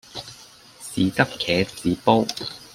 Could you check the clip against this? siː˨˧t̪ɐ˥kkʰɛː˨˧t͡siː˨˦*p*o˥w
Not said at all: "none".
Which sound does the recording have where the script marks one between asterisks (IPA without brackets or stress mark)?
p